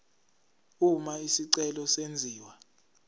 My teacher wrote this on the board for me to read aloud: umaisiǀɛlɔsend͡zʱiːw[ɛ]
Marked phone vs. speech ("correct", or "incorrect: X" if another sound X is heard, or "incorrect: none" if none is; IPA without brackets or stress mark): incorrect: a